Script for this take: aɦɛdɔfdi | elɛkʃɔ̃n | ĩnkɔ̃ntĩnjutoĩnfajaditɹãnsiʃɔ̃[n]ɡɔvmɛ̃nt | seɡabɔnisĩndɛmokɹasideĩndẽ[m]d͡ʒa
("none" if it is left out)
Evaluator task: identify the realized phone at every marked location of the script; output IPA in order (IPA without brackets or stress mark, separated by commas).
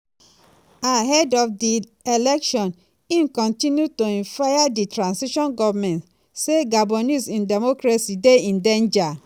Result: n, n